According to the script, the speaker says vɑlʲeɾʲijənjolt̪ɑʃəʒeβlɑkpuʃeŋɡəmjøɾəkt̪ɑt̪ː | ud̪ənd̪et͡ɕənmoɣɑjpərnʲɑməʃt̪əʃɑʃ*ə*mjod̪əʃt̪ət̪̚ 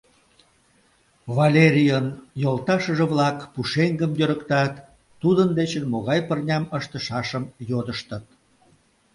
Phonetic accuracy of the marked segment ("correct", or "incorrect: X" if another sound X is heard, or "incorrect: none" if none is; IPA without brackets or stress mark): correct